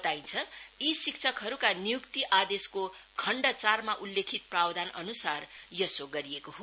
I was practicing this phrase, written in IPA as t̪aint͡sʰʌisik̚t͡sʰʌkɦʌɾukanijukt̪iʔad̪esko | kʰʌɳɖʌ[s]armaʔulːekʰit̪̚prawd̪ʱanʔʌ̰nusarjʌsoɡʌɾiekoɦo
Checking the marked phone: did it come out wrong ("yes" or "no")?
yes